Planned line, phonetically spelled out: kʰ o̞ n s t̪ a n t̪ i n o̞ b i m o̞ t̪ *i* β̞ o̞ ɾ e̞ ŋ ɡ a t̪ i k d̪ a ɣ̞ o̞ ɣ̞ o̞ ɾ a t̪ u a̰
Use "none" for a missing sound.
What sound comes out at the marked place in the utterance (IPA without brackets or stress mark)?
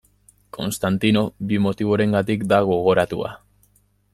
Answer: i